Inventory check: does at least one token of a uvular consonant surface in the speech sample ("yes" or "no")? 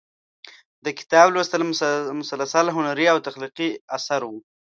yes